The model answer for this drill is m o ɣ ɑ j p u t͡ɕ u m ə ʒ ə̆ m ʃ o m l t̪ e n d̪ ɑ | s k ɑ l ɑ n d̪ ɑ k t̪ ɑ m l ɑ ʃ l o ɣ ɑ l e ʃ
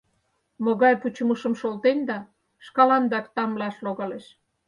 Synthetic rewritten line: m o ɣ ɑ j p u t͡ɕ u m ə ʃ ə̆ m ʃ o l t̪ e n d̪ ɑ | ʃ k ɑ l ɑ n d̪ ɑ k t̪ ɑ m l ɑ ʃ l o ɣ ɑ l e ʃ